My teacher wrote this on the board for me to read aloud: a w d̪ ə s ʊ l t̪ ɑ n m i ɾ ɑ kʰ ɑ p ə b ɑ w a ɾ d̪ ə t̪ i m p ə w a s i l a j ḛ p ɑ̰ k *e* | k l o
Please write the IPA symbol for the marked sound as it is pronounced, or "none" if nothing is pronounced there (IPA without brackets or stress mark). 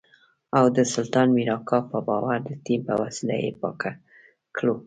a